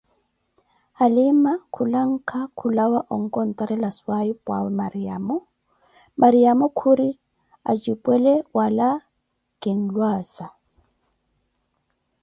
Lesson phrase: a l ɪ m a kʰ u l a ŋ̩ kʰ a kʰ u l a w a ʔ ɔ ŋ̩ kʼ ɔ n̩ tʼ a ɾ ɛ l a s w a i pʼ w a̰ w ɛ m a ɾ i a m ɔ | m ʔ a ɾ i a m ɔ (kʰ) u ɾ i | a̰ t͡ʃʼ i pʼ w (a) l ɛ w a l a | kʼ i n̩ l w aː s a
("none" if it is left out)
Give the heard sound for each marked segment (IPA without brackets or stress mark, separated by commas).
kʰ, ɛ